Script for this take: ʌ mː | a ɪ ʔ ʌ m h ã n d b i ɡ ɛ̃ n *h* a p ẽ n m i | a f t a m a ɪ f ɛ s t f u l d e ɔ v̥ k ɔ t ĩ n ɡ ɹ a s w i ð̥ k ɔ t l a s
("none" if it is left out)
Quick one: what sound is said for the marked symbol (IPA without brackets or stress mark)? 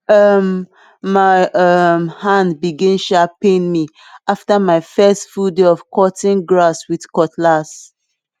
ʃ